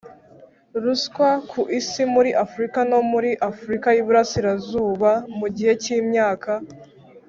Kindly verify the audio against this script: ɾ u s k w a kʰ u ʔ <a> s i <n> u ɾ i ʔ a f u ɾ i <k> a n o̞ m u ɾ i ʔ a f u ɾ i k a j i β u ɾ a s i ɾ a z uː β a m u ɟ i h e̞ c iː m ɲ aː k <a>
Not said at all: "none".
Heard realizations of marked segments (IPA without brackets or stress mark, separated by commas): i, m, k, a